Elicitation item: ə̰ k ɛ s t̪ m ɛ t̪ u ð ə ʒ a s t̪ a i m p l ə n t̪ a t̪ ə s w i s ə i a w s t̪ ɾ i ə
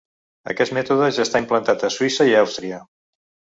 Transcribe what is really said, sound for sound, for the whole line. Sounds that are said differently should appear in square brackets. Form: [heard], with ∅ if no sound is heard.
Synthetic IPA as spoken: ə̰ k ɛ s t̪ m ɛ t̪ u ð ə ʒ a s t̪ a i m p l ə n t̪ a t̪ ə s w i s ə i a w s t̪ ɾ i ə